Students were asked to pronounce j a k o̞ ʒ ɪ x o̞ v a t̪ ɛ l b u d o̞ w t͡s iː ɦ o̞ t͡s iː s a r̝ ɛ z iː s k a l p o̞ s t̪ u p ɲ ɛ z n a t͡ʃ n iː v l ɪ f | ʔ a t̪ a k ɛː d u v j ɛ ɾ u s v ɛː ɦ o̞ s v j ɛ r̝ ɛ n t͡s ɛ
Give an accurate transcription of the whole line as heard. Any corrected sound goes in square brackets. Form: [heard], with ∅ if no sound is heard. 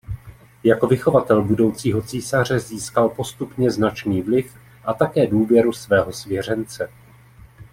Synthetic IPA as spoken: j a k o̞ [v] ɪ x o̞ v a t̪ ɛ l b u d o̞ w t͡s iː ɦ o̞ t͡s iː s a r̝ ɛ z iː s k a l p o̞ s t̪ u p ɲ ɛ z n a t͡ʃ n iː v l ɪ f | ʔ a t̪ a k ɛː d [uː] v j ɛ ɾ u s v ɛː ɦ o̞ s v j ɛ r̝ ɛ n t͡s ɛ